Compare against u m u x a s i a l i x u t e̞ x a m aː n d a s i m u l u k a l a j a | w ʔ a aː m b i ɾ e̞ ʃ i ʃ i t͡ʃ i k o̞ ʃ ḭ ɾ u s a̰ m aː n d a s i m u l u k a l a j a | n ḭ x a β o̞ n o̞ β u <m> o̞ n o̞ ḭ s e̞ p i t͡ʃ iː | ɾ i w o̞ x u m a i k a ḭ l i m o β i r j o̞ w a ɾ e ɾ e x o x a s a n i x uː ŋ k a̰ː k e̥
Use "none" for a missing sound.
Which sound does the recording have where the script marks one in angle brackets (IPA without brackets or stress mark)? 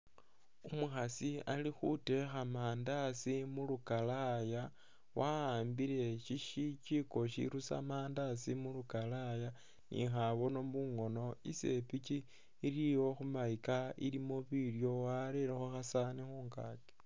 ŋ